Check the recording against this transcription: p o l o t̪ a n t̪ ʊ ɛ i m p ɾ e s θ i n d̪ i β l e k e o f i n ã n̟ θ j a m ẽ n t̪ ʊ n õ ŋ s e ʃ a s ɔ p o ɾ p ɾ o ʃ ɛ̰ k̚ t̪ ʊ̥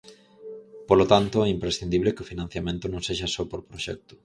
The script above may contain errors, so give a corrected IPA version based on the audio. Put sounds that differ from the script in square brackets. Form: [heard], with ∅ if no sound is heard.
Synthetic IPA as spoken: p o l o t̪ a n t̪ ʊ ɛ i m p ɾ e s θ i n d̪ i β l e k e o f i n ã n̟ θ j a m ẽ n t̪ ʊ n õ ŋ s e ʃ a s ɔ p o ɾ p ɾ o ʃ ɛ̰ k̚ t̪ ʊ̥